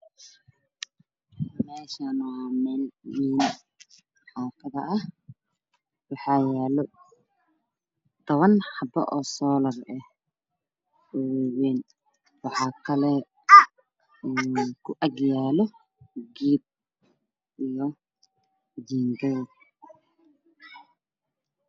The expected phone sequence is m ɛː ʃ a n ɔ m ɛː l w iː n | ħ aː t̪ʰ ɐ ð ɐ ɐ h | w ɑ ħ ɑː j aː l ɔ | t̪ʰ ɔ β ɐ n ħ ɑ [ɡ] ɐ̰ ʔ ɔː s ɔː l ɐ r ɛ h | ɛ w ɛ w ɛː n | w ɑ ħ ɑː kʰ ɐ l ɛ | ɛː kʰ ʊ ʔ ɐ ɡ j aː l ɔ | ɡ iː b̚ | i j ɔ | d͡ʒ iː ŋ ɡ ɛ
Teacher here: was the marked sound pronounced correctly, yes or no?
no